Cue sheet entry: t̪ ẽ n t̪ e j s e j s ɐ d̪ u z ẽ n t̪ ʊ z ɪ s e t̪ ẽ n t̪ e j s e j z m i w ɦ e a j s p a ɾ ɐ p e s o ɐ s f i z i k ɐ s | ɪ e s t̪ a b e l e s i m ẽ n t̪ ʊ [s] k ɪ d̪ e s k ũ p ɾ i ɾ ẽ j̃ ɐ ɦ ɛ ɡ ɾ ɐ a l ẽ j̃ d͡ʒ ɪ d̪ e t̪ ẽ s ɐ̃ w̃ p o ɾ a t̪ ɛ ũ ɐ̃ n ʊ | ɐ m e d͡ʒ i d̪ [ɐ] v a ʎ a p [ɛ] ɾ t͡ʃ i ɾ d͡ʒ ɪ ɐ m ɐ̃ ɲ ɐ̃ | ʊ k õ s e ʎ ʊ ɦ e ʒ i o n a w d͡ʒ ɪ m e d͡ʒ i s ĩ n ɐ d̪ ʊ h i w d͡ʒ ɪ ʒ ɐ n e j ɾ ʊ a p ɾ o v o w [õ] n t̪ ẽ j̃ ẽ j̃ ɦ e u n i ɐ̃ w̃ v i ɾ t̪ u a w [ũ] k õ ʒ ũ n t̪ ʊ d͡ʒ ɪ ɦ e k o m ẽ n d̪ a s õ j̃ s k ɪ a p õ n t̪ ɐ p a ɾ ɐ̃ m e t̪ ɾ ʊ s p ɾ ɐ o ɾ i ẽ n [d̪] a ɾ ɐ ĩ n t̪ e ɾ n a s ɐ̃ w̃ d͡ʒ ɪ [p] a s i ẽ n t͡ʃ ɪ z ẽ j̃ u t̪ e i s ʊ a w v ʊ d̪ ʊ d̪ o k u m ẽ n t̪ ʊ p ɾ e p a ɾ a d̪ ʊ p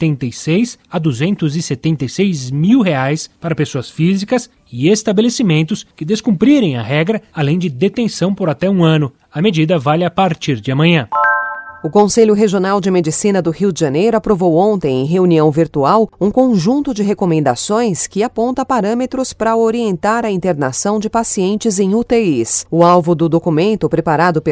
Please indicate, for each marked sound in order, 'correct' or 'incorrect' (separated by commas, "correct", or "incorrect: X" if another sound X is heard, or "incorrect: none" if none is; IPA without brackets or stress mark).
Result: correct, correct, incorrect: a, correct, correct, incorrect: t̪, correct